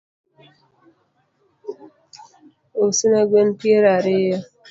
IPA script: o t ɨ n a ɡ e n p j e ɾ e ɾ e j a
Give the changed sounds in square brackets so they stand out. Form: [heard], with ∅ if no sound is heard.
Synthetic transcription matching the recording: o [s] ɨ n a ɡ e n p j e ɾ [a] ɾ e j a